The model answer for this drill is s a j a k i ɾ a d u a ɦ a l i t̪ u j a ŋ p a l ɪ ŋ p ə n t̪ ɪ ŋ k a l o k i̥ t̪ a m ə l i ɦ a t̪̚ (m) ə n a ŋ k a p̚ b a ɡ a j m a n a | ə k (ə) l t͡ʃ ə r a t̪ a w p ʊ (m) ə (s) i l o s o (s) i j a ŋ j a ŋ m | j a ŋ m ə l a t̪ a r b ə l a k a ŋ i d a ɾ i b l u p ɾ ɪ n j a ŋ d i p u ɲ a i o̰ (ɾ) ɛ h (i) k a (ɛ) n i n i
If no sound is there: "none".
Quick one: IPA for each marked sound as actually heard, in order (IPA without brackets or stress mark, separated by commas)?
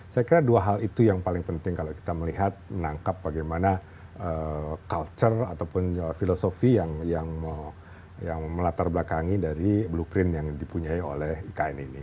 m, a, n, f, f, l, i, ɛ